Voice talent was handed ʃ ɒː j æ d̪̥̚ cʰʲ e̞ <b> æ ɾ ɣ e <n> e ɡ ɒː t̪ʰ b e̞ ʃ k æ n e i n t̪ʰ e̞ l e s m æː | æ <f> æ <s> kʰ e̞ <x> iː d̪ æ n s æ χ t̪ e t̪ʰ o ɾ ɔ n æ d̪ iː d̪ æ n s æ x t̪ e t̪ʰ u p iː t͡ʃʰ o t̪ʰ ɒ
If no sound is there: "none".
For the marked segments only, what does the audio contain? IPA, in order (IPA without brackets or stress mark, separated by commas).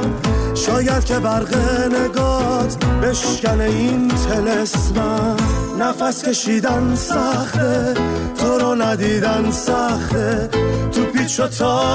b, n, f, s, ʃ